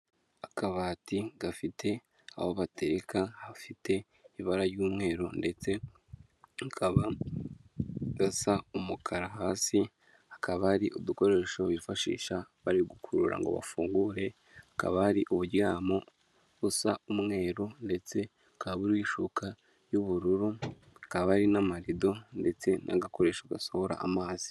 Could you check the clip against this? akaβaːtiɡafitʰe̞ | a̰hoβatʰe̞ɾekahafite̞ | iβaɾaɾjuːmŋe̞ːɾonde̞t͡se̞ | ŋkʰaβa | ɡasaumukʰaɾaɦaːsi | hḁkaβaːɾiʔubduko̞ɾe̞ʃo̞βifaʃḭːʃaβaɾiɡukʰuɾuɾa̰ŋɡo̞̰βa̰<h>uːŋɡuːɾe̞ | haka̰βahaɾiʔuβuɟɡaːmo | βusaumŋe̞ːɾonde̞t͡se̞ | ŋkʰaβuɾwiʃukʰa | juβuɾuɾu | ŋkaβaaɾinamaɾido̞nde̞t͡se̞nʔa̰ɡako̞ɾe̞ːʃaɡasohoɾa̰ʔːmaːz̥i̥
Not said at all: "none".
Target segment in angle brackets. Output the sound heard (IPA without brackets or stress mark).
f